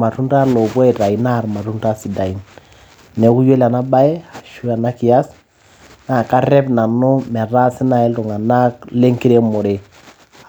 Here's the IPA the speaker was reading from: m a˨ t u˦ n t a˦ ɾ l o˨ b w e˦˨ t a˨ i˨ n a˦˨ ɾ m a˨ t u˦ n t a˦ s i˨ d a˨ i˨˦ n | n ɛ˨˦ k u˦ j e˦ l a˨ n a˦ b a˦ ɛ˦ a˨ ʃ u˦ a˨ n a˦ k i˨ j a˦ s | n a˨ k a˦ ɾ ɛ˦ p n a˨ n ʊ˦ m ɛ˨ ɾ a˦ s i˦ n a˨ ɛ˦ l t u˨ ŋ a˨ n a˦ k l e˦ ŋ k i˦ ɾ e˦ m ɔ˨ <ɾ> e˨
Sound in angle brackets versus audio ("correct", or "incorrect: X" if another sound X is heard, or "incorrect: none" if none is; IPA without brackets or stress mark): correct